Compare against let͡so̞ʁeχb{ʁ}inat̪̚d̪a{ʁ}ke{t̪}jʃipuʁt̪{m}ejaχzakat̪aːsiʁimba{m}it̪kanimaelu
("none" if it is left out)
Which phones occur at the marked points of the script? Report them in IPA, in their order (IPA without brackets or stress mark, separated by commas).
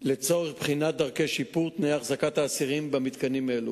χ, ʁ, none, n, m